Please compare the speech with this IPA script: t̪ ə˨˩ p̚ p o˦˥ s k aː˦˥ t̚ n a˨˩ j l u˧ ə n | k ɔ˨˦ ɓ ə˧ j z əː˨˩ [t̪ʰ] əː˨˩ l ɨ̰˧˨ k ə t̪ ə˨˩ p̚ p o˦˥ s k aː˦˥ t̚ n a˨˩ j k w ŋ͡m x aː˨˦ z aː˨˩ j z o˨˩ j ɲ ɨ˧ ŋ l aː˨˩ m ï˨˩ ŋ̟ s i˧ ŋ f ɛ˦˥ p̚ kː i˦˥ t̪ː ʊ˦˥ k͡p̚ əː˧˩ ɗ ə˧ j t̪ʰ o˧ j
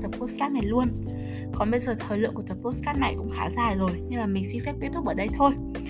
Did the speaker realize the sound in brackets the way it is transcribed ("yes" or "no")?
yes